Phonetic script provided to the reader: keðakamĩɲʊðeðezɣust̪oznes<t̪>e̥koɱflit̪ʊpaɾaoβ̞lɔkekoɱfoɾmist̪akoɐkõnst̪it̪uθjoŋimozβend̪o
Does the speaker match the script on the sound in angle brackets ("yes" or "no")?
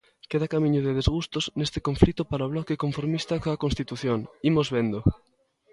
yes